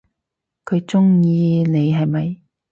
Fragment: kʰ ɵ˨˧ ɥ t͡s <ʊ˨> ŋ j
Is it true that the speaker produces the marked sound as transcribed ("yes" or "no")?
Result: no